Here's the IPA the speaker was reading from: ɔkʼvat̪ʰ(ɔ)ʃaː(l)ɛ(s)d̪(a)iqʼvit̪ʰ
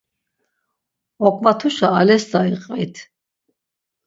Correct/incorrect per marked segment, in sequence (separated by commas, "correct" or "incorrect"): incorrect, correct, correct, correct